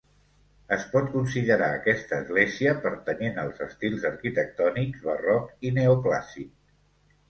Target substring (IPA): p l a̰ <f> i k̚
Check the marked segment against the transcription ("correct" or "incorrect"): incorrect